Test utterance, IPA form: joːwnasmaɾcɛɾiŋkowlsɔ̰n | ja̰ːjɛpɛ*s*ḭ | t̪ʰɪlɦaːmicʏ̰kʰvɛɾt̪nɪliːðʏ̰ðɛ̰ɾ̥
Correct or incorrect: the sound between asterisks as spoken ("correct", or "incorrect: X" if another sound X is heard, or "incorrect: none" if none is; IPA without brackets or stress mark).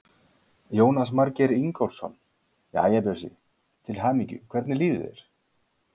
correct